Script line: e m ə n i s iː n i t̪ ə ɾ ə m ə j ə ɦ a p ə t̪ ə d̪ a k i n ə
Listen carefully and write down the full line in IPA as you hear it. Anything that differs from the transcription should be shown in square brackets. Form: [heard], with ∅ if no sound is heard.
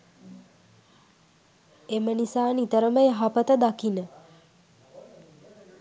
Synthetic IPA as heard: e m ə n i s [aː] n i t̪ ə ɾ ə m ə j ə ɦ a p ə t̪ ə d̪ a k i n ə